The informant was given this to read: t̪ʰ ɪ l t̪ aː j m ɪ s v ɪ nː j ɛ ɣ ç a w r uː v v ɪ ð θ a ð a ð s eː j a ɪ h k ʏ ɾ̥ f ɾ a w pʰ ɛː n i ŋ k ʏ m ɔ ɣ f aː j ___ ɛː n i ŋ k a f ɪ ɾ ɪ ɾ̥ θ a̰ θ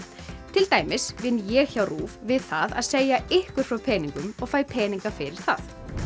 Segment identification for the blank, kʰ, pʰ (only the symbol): pʰ